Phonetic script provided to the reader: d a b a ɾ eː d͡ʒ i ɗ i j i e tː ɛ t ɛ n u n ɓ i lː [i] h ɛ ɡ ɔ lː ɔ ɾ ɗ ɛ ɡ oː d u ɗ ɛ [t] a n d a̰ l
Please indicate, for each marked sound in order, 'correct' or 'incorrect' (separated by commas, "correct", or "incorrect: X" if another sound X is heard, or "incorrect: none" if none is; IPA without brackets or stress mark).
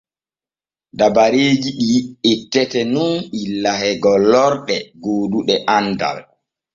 incorrect: a, incorrect: ʔ